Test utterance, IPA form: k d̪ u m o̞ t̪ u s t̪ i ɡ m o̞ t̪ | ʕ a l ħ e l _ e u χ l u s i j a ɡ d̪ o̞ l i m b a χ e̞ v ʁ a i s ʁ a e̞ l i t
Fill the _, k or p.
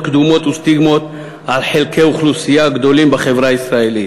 k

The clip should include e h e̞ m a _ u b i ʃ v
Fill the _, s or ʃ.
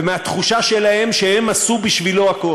s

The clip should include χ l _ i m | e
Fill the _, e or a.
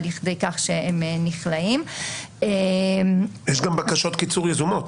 a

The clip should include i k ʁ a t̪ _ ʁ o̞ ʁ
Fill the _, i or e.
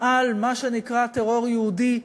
e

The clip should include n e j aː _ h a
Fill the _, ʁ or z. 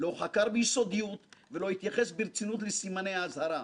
z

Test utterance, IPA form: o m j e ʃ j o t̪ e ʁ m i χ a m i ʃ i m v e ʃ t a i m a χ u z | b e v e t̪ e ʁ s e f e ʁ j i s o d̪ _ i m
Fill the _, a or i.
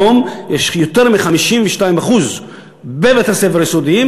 i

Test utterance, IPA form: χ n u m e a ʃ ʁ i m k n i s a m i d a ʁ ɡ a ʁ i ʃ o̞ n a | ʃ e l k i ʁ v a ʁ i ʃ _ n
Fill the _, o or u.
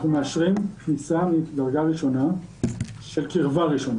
o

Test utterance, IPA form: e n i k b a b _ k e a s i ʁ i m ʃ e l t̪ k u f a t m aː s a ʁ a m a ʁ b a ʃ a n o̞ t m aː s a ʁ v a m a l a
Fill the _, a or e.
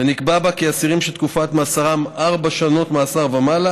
a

